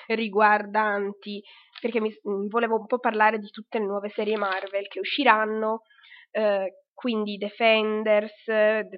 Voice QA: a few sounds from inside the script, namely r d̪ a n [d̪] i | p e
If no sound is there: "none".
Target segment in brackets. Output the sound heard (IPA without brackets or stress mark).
t̪